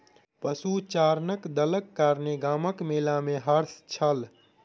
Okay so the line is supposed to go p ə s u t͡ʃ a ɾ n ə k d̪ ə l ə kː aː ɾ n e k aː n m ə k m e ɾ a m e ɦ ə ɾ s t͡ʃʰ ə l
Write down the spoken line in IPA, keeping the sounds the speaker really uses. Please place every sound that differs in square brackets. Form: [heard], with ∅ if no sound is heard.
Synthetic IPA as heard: p ə s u t͡ʃ a ɾ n ə k d̪ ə l ə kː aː ɾ n e [ɡ] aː [∅] m ə k m e [l] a m e ɦ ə ɾ s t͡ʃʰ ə l